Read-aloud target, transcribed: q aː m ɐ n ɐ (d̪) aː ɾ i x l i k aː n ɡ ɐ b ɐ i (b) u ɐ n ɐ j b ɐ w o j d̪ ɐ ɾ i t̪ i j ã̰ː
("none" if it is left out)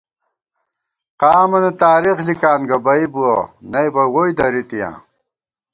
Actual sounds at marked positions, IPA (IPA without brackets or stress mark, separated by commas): t̪, b